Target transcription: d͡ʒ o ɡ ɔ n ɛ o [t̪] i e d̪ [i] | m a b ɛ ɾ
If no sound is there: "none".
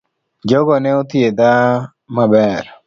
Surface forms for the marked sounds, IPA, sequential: t̪, a

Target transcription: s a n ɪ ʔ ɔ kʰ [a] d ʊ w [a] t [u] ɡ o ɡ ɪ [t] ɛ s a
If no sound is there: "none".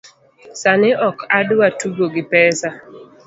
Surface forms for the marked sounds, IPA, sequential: a, a, u, p

